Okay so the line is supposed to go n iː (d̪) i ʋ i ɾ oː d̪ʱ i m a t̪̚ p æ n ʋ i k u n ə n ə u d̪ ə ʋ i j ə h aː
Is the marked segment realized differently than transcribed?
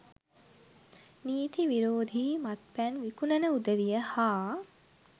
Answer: yes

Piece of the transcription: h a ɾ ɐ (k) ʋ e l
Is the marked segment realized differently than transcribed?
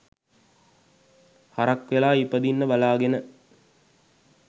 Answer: no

